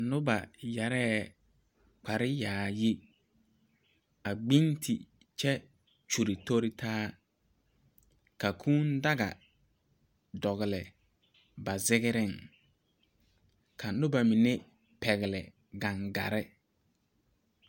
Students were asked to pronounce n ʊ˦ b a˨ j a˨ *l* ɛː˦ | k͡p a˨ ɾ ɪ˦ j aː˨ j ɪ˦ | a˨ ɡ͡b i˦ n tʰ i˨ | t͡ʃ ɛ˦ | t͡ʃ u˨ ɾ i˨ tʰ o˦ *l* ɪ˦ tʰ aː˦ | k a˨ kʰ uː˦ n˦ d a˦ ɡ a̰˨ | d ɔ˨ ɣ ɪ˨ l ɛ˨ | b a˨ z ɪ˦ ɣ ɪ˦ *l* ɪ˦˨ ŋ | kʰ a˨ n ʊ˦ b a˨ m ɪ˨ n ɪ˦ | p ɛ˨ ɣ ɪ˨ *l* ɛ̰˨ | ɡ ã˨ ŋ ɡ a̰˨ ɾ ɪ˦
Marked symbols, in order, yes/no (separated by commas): no, no, no, yes